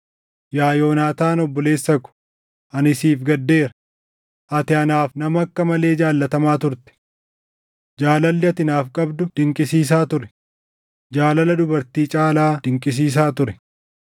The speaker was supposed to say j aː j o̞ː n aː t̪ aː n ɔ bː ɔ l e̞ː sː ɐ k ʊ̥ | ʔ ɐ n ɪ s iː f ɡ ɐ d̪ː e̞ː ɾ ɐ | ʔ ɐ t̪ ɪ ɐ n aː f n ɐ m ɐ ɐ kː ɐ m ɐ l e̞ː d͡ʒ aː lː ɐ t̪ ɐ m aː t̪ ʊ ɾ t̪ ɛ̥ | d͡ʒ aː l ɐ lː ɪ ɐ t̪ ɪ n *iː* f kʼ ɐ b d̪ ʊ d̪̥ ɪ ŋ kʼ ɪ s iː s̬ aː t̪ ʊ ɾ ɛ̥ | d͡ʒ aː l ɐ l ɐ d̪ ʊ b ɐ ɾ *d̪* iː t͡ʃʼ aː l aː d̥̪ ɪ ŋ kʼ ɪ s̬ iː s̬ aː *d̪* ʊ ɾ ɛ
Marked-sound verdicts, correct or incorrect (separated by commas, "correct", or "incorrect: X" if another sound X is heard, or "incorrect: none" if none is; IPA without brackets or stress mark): incorrect: aː, incorrect: t̪, incorrect: t̪